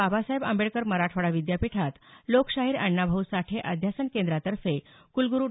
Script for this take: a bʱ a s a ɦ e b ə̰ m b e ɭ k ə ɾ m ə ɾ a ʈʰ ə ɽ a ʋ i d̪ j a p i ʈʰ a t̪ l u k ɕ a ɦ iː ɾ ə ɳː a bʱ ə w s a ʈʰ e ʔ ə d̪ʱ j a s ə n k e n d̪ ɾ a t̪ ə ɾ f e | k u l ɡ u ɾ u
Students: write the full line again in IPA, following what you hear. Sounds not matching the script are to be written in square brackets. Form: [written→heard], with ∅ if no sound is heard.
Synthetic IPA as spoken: a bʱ a s a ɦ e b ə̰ m b e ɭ k ə ɾ m ə ɾ a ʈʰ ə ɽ a ʋ i d̪ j a p i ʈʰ a t̪ l [u→o] k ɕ a ɦ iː ɾ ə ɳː a bʱ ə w s a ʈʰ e ʔ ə d̪ʱ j a s ə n k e n d̪ ɾ a t̪ ə ɾ f e | k u l ɡ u ɾ u

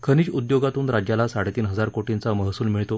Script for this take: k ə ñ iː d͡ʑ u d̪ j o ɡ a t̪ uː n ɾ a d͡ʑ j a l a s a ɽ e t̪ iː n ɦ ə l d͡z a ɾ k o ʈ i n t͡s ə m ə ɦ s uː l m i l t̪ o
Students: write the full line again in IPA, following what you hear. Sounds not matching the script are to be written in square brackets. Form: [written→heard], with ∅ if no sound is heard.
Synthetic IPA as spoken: [k→kʰ] ə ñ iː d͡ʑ u d̪ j o ɡ a t̪ uː n ɾ a d͡ʑ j a l a s a ɽ e t̪ iː n ɦ ə [l→∅] d͡z a ɾ k o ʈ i n t͡s [ə→a] m ə ɦ s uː l m i [l→ɭ] t̪ o

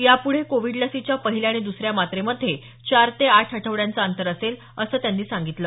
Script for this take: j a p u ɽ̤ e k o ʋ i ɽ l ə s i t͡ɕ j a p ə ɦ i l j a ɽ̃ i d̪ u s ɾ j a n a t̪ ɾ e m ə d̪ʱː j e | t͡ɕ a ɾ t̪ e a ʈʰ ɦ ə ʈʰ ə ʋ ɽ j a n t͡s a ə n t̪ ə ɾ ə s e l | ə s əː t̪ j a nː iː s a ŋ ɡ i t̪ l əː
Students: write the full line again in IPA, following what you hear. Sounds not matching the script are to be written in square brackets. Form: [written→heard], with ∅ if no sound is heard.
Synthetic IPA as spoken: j a p u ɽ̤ e k o ʋ i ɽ l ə s i t͡ɕ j a p ə ɦ i l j a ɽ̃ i d̪ u s ɾ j a [n→m] a t̪ ɾ e m ə d̪ʱː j e | t͡ɕ a ɾ t̪ e a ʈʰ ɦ ə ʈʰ ə ʋ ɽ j a n t͡s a ə n t̪ ə ɾ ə s e l | ə s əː t̪ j a nː iː s a ŋ ɡ i t̪ l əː

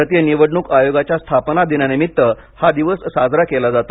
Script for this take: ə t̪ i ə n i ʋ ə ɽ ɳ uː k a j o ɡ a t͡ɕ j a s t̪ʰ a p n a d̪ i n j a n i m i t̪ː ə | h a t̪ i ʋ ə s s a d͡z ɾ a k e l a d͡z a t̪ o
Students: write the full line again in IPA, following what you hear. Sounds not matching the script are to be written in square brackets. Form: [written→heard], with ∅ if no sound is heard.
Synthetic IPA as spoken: ə t̪ [i→j] ə n i ʋ ə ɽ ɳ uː k a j o ɡ a t͡ɕ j a s t̪ʰ a p n a d̪ i n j a n i m i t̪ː ə | h a [t̪→d̪] i ʋ ə s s a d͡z ɾ a k e l a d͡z a t̪ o

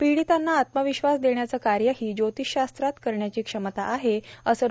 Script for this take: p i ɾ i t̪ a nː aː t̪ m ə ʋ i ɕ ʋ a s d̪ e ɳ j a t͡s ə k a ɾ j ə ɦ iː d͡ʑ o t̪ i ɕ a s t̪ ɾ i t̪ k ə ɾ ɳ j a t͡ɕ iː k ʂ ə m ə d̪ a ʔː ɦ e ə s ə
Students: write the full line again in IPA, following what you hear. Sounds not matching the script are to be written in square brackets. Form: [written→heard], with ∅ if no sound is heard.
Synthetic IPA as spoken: p i [ɾ→ɽ] i t̪ a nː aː t̪ m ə ʋ i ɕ ʋ a s d̪ e ɳ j a t͡s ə k a ɾ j ə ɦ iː d͡ʑ o t̪ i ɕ a s t̪ ɾ [i→a] t̪ k ə ɾ ɳ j a t͡ɕ iː k ʂ ə m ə [d̪→t̪] a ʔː ɦ e ə s ə

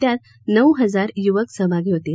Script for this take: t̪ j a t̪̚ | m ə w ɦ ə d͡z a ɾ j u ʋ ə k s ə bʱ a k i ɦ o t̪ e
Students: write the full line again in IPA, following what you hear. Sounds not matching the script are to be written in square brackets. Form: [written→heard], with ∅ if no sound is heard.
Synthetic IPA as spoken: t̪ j a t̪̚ | [m→n] ə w ɦ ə d͡z a ɾ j u ʋ ə k s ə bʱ a [k→ɡ] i ɦ o t̪ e

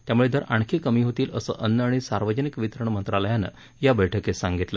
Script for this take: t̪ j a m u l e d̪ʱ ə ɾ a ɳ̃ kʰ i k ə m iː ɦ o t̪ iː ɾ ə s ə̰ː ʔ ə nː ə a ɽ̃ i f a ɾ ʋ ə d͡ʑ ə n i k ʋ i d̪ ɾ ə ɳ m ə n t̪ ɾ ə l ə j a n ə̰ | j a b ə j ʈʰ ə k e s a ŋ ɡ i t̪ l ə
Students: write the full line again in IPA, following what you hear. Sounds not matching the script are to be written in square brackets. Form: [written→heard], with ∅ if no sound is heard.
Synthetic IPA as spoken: t̪ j a m u [l→ɭ] e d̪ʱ ə ɾ a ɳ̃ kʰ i k ə m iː ɦ o t̪ iː [ɾ→l] ə s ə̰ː ʔ ə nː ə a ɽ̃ i [f→s] a ɾ ʋ ə d͡ʑ ə n i k ʋ i [d̪→t̪] ɾ ə ɳ m ə n t̪ ɾ [ə→a] l ə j a n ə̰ | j a b ə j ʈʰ ə k e s a ŋ ɡ i t̪ l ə

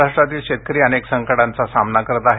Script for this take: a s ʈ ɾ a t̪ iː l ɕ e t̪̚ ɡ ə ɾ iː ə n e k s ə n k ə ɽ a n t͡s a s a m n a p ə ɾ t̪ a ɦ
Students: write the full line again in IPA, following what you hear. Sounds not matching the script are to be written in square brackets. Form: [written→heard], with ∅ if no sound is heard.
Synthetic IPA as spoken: a [s→ʂ] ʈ ɾ a t̪ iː l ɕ e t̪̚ [ɡ→k] ə ɾ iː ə n e k s ə [n→ŋ] k ə ɽ a n t͡s a s a m n a [p→k] ə ɾ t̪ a ɦ

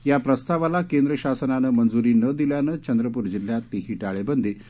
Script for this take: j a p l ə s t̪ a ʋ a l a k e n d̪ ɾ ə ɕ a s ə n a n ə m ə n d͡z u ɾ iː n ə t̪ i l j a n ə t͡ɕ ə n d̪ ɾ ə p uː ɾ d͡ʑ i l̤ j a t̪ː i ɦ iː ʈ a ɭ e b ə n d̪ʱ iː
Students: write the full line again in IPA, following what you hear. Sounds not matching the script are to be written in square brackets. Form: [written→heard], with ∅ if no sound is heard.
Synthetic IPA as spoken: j a p [l→ɾ] ə s t̪ a ʋ a l a k e n d̪ ɾ ə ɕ a s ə n a n ə m ə n d͡z u ɾ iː n ə [t̪→d̪] i l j a n ə t͡ɕ ə n d̪ ɾ ə p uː ɾ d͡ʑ i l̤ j a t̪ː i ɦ iː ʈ a ɭ e b ə n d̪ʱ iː

